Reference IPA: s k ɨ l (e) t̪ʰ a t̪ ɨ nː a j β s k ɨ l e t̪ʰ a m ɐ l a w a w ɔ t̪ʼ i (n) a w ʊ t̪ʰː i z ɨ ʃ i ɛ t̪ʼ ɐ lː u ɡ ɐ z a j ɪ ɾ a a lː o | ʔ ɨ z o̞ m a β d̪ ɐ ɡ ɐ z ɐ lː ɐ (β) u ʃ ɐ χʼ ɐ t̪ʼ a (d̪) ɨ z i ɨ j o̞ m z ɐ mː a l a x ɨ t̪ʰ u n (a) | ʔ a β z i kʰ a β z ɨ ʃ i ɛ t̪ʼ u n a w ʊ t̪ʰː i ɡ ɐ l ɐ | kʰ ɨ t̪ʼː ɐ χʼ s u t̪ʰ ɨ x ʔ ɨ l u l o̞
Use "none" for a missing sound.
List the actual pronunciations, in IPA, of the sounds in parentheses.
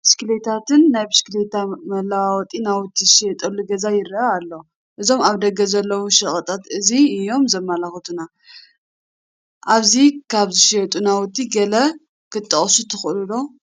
e, n, w, t̪, a

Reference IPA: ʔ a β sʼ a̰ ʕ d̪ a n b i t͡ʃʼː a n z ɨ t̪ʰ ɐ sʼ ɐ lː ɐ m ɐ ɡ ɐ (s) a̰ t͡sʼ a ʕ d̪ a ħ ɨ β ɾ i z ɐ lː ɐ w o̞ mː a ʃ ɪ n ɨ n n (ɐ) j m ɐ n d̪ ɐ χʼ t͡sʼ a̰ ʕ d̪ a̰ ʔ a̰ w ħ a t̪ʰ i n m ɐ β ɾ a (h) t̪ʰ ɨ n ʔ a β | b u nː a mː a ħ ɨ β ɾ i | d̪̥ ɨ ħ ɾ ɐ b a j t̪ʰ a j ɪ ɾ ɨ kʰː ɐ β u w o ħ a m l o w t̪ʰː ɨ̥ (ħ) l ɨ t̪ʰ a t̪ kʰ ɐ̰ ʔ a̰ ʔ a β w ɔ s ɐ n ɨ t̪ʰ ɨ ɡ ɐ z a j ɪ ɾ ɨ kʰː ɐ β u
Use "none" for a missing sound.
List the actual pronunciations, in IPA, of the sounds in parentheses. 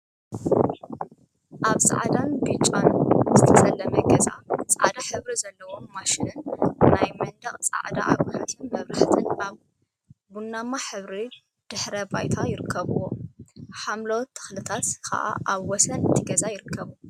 z, a, ħ, x

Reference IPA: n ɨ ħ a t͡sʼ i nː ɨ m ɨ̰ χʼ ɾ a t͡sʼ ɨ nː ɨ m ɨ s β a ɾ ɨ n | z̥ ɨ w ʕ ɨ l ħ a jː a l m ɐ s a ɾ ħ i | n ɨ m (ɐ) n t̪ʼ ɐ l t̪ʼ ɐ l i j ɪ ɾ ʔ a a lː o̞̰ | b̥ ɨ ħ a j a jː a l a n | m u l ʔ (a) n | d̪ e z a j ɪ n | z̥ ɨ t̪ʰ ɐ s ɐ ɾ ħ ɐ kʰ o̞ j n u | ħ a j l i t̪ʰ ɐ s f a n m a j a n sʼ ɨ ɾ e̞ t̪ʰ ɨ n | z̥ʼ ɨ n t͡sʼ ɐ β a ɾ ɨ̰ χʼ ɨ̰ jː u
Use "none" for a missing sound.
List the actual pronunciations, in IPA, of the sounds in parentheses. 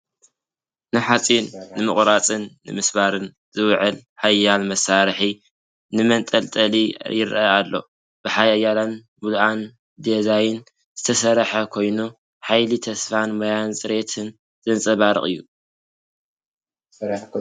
ɐ, a

